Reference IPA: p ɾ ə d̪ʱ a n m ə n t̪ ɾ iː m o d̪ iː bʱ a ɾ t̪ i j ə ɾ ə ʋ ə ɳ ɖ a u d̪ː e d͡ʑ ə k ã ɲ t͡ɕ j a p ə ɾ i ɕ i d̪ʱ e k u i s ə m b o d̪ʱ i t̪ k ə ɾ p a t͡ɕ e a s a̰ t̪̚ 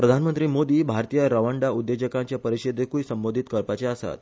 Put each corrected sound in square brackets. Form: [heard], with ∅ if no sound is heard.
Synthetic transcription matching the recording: p ɾ ə d̪ʱ a n m ə n t̪ ɾ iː m o d̪ iː bʱ a ɾ t̪ i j ə ɾ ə ʋ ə ɳ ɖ a u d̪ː e d͡ʑ ə k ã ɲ t͡ɕ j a p ə ɾ i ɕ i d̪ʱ e k u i s ə m b o d̪ʱ i t̪ k ə ɾ p a t͡ɕ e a s a̰ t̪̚